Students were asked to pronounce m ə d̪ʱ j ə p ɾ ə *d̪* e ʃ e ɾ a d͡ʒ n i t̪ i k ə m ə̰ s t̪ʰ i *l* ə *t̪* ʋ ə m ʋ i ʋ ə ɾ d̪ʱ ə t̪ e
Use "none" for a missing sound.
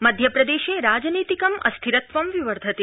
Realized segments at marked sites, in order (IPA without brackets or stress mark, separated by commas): d̪, ɾ, t̪